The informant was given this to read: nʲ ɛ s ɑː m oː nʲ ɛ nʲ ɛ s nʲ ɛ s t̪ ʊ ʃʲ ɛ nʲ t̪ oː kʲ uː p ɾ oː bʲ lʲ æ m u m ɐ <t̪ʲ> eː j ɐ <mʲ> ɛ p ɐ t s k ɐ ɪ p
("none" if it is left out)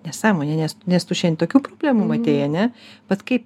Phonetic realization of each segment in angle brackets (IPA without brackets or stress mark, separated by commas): t̪ʲ, nʲ